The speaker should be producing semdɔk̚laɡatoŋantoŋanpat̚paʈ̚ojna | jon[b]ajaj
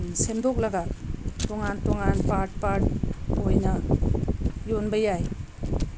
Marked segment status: correct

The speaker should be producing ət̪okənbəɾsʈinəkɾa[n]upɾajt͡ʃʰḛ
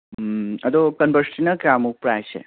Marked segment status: incorrect: m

